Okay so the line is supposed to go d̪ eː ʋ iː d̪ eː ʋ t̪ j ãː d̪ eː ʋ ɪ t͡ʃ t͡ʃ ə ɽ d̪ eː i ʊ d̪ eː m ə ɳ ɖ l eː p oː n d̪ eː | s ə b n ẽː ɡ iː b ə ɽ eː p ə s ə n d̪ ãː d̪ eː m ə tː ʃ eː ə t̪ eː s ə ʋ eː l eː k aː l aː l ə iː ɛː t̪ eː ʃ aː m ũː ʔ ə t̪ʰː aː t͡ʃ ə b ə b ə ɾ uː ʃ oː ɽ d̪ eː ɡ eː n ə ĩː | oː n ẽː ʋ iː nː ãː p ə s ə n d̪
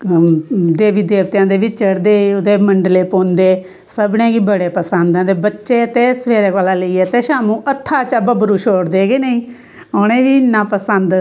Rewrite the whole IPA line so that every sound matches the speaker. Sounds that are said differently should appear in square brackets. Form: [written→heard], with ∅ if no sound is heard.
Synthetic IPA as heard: d̪ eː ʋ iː d̪ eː ʋ t̪ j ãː d̪ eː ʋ ɪ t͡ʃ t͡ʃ ə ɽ d̪ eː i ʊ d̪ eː m ə ɳ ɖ l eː p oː n d̪ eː | s ə b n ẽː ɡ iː b ə ɽ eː p ə s ə n d̪ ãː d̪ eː [m→b] ə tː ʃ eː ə t̪ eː s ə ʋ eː [l→ɾ] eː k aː l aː l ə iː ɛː t̪ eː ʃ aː m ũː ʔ ə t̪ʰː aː t͡ʃ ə b ə b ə ɾ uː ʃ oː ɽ d̪ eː ɡ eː n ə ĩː | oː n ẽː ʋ iː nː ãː p ə s ə n d̪